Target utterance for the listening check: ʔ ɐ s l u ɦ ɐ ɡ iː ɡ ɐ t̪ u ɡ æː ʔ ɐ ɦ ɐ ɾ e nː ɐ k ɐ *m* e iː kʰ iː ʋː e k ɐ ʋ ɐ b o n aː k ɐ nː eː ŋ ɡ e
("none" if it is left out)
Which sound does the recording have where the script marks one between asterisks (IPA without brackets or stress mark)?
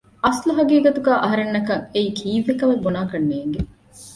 ŋ